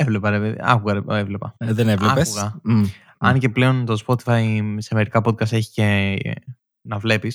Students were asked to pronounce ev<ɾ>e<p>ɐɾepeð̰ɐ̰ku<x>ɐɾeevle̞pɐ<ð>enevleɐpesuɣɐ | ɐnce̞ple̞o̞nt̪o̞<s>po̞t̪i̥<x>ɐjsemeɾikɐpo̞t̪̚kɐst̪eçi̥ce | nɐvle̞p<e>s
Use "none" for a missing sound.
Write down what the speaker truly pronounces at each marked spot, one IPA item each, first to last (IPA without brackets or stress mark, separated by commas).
l, p, ɣ, ð, s, f, i